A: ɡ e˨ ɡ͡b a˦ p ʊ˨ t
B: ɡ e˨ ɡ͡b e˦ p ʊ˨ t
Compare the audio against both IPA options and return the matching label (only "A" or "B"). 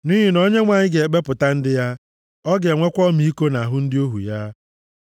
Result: B